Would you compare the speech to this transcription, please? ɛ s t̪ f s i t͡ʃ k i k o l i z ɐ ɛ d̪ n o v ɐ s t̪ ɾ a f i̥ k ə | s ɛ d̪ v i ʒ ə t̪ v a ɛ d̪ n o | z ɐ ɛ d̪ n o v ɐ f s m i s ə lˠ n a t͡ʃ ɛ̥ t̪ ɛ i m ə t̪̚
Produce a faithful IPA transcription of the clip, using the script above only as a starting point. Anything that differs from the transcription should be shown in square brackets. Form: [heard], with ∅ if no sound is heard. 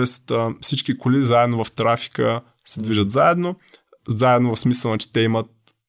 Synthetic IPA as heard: ɛ s t̪ f s i t͡ʃ k i k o l i z [a] ɛ d̪ n o v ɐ [f] t̪ ɾ a f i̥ k ə | s ɛ d̪ v i ʒ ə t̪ [z] a ɛ d̪ n o | z [a] ɛ d̪ n o v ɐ f s m i s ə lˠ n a t͡ʃ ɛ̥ t̪ ɛ i m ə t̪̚